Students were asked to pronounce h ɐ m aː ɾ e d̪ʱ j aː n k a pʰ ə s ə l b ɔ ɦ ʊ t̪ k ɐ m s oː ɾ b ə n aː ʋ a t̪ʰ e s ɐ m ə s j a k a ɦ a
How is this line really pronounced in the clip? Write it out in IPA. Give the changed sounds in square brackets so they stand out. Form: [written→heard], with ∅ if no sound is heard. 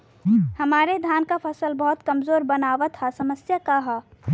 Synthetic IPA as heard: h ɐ m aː ɾ e d̪ʱ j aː n k a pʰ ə s ə l b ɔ ɦ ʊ t̪ k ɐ m [s→z] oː ɾ b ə n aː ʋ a t̪ʰ [e→a] s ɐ m ə s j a k a ɦ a